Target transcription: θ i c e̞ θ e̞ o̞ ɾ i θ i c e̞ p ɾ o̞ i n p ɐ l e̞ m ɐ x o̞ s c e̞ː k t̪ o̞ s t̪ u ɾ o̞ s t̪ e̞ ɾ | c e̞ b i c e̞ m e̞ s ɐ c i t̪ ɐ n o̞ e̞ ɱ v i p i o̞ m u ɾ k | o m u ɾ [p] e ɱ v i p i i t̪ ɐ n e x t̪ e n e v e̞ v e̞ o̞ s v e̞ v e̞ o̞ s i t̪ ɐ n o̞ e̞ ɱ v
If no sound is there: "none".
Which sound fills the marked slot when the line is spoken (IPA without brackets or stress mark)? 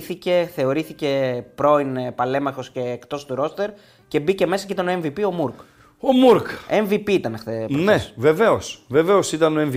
k